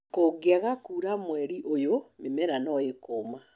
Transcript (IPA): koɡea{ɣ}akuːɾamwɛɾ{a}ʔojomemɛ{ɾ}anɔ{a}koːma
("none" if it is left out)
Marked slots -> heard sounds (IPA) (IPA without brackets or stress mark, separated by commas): ɣ, i, ɾ, e